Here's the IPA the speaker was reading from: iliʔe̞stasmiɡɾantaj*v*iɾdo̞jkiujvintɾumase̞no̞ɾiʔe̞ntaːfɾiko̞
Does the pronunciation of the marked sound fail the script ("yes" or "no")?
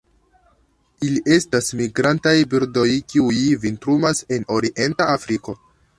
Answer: yes